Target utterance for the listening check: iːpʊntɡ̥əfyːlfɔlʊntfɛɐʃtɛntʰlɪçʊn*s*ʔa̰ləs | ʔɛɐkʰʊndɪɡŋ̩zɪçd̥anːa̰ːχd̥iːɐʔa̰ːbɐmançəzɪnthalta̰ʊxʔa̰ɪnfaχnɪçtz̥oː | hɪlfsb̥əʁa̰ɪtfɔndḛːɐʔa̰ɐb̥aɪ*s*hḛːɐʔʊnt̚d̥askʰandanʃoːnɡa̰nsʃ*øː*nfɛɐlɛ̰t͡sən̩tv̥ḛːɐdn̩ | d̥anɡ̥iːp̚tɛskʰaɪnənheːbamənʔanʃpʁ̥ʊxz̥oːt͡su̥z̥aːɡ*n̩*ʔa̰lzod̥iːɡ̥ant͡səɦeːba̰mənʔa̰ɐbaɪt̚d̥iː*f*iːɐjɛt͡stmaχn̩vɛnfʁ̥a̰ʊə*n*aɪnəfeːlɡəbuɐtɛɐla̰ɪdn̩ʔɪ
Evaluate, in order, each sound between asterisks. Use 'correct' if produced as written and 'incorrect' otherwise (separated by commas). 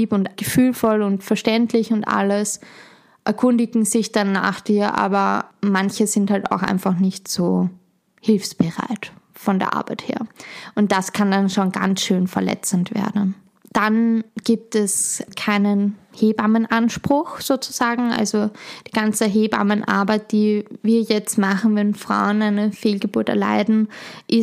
incorrect, incorrect, correct, incorrect, incorrect, correct